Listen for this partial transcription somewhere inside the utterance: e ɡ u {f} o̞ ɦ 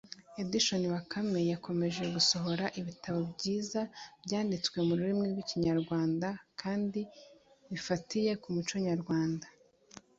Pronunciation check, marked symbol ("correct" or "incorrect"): incorrect